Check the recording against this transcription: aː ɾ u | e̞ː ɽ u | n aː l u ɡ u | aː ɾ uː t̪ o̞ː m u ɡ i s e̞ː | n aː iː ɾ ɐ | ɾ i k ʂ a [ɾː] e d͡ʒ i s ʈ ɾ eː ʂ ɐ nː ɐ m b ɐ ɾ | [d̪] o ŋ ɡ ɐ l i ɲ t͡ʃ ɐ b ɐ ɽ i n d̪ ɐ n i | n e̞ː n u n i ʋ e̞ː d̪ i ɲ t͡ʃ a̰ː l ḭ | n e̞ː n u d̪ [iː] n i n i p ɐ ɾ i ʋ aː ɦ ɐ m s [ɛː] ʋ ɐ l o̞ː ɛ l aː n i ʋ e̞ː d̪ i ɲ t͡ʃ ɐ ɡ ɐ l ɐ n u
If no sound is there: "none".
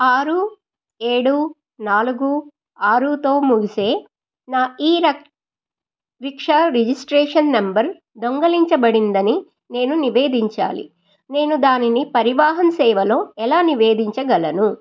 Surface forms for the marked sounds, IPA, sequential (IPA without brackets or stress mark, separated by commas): ɾ, d̪, aː, ɛː